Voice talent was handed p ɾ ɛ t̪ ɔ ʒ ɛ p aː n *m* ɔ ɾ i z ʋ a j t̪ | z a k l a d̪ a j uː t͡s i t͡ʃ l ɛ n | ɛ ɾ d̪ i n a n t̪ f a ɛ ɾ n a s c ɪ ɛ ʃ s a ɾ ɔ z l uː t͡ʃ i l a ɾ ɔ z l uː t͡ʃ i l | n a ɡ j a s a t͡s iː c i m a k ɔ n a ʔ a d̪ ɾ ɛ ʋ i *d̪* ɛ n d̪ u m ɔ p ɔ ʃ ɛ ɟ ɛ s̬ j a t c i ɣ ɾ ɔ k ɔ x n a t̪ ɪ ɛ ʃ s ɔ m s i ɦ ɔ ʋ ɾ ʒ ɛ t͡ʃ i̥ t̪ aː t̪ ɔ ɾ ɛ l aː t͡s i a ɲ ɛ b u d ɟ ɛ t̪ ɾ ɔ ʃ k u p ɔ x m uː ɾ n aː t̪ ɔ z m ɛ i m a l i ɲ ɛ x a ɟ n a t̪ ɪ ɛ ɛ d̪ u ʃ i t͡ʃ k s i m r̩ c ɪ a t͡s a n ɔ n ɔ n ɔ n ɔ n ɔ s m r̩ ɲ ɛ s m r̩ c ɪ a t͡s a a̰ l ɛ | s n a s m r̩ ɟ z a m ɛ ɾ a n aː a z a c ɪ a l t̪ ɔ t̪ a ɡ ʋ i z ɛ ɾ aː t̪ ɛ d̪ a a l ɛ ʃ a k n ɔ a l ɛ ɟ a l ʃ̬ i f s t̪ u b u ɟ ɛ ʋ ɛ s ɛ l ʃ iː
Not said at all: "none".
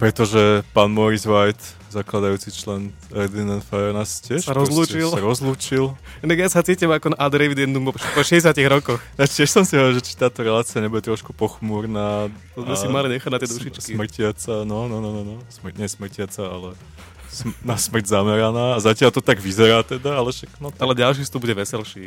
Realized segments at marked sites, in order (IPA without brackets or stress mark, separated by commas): m, d̪